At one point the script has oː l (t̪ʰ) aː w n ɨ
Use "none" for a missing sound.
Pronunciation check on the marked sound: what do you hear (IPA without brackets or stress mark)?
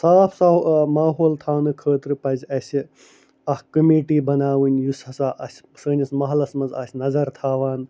t̪ʰ